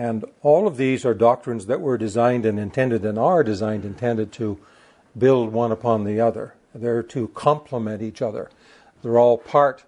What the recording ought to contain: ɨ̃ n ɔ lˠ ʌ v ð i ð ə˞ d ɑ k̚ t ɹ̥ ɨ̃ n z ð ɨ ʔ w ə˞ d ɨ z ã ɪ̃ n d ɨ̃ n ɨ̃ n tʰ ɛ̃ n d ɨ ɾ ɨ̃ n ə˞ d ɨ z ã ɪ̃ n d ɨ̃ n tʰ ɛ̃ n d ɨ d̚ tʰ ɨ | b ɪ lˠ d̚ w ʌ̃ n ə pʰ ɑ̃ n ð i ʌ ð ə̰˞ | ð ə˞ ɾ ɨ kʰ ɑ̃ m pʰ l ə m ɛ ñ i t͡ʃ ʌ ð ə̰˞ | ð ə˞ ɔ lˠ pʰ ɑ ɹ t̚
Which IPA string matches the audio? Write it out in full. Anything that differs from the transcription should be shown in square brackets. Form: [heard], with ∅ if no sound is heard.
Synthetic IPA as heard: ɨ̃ n ɔ lˠ ʌ v ð i [z] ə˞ d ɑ k̚ t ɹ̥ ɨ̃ n z ð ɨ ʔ w ə˞ d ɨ z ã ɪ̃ n d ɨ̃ n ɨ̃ n tʰ ɛ̃ n d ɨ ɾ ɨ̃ n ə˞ d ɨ z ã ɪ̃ n d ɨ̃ n tʰ ɛ̃ n d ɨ d̚ tʰ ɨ | b ɪ lˠ d̚ w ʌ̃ n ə pʰ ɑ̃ n ð i ʌ ð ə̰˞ | ð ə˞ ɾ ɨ kʰ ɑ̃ m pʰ l ə m [ɛ̃] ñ i t͡ʃ ʌ ð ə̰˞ | ð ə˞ ɔ lˠ pʰ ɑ ɹ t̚